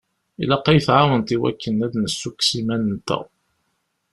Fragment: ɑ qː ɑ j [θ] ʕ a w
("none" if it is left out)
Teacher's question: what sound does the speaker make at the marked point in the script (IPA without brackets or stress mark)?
θ